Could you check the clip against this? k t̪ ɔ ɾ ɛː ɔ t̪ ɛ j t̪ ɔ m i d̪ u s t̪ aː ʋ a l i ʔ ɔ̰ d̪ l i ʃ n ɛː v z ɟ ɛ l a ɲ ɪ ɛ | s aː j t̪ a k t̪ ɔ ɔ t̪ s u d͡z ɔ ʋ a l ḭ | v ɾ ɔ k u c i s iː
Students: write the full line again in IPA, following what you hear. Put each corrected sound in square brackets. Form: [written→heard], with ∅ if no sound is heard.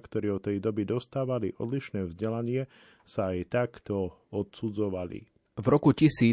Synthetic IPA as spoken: k t̪ ɔ ɾ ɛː ɔ t̪ ɛ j [t̪→d̪] ɔ [m→b] i d̪ [u→ɔ] s t̪ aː ʋ a l i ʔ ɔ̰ d̪ l i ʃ n ɛː v z ɟ ɛ l a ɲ ɪ ɛ | s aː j t̪ a k t̪ ɔ ɔ t̪ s u d͡z ɔ ʋ a l ḭ | v ɾ ɔ k u c i s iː